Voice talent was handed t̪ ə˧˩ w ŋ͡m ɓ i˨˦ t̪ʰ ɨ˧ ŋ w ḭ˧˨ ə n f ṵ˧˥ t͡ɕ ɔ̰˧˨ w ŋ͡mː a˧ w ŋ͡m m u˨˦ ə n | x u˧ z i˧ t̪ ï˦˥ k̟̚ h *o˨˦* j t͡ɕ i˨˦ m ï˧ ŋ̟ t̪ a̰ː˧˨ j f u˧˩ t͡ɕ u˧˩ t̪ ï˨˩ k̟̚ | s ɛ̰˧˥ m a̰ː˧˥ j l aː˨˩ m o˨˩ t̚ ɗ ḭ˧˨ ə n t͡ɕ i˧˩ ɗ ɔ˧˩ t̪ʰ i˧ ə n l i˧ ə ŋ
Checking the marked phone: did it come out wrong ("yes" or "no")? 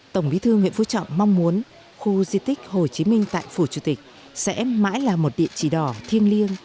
yes